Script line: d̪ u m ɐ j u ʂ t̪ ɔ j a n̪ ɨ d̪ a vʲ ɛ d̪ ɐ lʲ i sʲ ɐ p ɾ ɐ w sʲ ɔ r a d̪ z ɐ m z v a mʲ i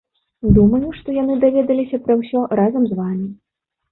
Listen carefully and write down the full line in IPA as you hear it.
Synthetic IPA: d̪ u m ɐ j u ʂ t̪ ɔ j a n̪ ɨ d̪ a vʲ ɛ d̪ ɐ lʲ i sʲ ɐ p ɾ ɐ w sʲ ɔ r a z ɐ m z v a mʲ i